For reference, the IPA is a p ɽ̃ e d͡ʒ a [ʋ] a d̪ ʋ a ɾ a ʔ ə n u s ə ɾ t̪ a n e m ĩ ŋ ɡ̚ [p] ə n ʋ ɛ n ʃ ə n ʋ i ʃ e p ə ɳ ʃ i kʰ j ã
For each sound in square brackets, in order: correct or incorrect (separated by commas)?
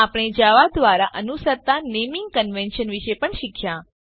correct, incorrect